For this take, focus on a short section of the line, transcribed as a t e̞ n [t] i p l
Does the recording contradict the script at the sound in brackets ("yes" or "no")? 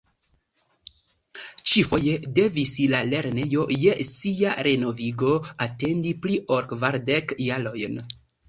yes